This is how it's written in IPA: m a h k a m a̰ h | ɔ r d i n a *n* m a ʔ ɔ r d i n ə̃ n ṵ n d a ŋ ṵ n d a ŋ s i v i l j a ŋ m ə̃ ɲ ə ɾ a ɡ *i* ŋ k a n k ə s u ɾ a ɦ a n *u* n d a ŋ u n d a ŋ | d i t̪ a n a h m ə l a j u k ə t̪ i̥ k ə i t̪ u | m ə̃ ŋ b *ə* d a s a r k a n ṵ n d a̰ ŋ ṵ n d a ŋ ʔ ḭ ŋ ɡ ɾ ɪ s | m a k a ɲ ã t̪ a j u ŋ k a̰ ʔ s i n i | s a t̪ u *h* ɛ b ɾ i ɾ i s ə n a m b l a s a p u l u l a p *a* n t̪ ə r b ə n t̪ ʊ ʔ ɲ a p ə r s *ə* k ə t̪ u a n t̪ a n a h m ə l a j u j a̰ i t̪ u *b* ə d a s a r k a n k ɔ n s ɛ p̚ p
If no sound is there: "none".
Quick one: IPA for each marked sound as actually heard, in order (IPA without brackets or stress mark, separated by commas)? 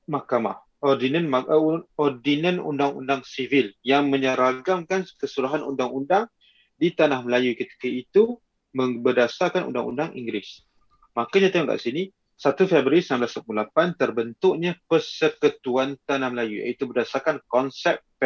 n, a, u, ə, f, a, ə, b